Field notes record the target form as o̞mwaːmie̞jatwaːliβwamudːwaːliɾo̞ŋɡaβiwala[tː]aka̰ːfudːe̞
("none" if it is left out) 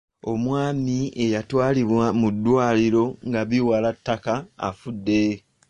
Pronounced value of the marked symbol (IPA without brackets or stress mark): tː